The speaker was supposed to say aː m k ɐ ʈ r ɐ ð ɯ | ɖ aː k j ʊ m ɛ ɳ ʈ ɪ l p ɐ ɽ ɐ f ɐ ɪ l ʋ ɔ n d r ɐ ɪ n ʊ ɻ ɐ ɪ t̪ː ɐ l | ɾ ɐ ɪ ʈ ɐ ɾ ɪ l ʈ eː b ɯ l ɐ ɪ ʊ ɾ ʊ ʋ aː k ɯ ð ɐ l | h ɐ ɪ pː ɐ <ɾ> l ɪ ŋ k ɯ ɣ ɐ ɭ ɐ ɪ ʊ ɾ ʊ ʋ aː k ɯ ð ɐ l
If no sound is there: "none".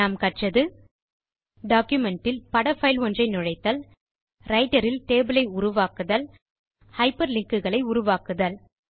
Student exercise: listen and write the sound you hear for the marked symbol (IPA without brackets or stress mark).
ɾ